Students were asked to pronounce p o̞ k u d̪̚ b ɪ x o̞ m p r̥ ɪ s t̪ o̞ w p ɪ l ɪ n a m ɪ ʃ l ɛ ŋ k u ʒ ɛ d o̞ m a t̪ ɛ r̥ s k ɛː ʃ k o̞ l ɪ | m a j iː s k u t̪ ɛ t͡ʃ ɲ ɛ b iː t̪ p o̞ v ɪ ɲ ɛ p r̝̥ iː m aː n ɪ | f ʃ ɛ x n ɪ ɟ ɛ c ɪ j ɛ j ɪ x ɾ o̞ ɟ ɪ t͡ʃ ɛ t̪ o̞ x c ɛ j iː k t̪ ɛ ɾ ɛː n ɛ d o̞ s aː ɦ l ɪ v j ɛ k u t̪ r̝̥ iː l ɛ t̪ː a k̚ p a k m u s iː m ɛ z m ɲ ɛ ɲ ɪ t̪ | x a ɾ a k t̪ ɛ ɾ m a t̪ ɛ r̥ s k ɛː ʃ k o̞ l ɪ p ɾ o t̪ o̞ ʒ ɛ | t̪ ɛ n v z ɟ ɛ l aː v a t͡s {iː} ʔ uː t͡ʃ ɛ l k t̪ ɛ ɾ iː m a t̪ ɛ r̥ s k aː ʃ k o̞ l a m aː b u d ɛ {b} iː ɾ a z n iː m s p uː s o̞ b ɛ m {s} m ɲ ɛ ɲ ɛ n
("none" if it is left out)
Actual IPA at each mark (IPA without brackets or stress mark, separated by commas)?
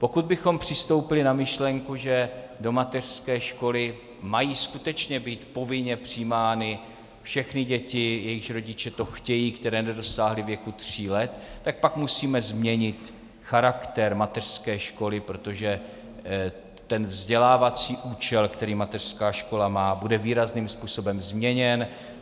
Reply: iː, v, z